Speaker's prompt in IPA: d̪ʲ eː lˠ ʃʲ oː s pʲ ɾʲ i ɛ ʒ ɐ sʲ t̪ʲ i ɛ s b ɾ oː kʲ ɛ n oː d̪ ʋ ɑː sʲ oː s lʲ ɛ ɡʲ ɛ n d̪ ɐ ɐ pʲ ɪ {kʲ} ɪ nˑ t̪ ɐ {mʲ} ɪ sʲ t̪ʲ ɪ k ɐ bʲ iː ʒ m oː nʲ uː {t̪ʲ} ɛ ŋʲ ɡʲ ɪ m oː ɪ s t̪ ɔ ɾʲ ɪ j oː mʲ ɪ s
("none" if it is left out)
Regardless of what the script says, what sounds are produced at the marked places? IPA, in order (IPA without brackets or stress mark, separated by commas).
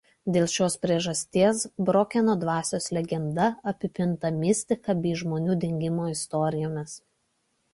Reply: pʲ, mʲ, d̪ʲ